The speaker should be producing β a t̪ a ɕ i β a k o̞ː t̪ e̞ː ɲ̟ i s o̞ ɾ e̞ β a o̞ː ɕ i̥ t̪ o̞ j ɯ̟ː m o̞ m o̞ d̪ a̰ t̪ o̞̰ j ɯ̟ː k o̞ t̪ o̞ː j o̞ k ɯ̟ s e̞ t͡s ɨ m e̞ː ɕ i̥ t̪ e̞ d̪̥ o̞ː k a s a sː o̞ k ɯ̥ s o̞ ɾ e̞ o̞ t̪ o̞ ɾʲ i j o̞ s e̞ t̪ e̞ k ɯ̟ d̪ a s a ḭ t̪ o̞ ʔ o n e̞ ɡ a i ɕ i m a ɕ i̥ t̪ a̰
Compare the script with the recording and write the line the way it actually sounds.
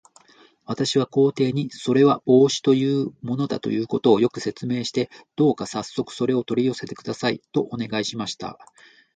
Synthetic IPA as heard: β a t̪ a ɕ i β a k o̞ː t̪ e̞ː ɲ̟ i s o̞ ɾ e̞ β a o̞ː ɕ i̥ t̪ o̞ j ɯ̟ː m o̞ n o̞ d̪ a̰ t̪ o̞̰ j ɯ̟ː k o̞ t̪ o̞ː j o̞ k ɯ̟ s e̞ t͡s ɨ m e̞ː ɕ i̥ t̪ e̞ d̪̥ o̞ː k a s a sː o̞ k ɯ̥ s o̞ ɾ e̞ o̞ t̪ o̞ ɾʲ i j o̞ s e̞ t̪ e̞ k ɯ̟ d̪ a s a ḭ t̪ o̞ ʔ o n e̞ ɡ a i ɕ i m a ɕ i̥ t̪ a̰